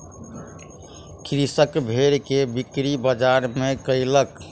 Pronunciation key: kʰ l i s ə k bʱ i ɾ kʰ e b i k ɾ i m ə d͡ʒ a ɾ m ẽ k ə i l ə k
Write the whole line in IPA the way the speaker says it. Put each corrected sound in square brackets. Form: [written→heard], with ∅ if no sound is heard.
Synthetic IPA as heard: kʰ [l→ɾ] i s ə k bʱ [i→e] ɾ [kʰ→k] e b i k ɾ i [m→b] ə d͡ʒ a ɾ m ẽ k ə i l ə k